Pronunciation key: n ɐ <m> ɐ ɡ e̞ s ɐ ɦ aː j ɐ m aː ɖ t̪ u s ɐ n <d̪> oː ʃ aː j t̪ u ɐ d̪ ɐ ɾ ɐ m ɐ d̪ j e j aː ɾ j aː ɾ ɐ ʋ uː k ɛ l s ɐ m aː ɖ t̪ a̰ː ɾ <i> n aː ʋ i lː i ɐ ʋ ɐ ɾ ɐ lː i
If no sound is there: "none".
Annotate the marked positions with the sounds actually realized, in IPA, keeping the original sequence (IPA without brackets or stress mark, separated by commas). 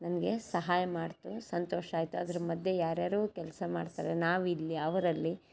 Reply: n, t̪, e